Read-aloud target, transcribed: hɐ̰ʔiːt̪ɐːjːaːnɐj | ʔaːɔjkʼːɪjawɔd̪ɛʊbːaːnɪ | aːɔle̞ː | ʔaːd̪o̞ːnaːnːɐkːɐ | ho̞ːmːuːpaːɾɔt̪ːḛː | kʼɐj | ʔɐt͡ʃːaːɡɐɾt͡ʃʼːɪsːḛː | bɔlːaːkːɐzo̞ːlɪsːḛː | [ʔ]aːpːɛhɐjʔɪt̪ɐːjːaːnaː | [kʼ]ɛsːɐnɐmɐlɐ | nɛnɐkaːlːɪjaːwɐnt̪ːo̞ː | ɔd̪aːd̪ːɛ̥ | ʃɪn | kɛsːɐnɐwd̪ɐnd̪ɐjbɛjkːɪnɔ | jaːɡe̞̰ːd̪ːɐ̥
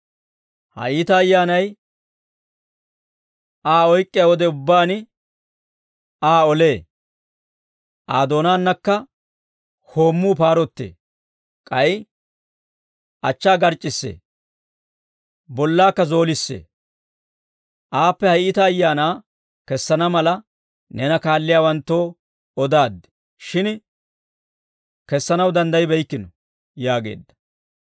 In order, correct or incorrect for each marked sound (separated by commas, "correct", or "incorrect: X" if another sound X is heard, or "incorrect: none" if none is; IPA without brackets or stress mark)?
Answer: correct, incorrect: k